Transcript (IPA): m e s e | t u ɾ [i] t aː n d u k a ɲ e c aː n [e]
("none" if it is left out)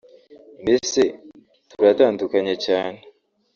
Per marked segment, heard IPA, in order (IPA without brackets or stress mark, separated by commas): a, e